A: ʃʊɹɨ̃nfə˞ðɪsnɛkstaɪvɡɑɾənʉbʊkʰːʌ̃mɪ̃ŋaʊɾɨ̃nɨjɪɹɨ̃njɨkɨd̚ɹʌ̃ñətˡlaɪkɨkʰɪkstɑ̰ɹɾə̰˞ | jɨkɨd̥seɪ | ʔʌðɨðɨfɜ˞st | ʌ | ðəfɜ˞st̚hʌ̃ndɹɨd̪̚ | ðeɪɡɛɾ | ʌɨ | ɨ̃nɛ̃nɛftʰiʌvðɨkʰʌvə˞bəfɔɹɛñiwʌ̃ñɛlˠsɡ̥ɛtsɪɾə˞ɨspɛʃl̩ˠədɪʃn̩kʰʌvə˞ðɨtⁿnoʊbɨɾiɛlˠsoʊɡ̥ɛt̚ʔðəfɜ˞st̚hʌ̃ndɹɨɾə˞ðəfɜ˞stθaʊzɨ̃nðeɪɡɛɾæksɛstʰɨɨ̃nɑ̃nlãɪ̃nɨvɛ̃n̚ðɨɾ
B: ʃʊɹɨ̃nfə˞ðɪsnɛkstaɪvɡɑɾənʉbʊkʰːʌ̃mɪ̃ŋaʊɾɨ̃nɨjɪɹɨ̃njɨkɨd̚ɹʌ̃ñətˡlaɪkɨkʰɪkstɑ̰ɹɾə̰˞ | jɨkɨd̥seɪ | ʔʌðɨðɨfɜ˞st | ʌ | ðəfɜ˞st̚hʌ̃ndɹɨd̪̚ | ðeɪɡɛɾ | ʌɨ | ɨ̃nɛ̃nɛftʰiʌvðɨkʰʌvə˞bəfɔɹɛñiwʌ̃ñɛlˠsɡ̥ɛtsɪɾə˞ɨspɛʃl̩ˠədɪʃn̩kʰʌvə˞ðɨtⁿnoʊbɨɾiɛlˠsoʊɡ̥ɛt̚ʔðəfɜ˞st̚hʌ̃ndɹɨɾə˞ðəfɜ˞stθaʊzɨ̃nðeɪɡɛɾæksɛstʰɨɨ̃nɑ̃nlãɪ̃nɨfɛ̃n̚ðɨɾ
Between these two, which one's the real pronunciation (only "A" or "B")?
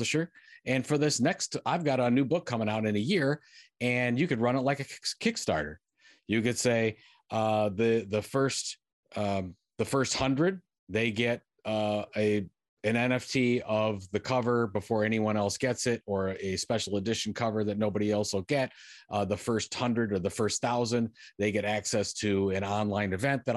A